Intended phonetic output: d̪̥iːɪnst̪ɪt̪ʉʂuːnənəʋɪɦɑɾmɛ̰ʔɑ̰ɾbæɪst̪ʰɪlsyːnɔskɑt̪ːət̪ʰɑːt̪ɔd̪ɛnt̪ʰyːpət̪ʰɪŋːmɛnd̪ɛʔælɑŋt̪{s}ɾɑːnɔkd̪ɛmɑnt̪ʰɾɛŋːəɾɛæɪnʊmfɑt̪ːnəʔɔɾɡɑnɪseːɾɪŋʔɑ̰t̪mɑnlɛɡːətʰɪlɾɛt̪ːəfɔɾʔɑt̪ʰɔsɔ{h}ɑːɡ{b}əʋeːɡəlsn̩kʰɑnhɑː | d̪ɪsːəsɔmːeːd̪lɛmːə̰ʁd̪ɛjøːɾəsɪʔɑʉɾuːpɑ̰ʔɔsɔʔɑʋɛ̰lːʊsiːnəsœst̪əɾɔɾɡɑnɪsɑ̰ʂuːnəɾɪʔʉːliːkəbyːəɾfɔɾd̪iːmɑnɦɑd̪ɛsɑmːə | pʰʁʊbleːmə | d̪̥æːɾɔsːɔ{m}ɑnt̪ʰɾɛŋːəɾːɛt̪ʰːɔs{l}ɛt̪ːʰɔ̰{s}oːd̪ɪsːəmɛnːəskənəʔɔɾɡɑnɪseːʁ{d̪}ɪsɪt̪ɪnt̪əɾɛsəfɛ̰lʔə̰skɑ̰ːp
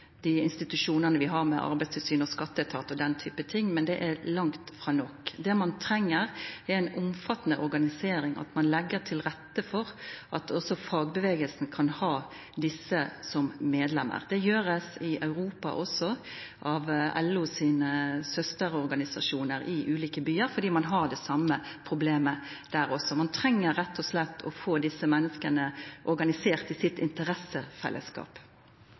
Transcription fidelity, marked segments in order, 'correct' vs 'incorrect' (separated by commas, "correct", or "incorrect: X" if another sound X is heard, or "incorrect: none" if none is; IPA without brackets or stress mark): incorrect: f, incorrect: f, correct, correct, correct, incorrect: f, incorrect: t̪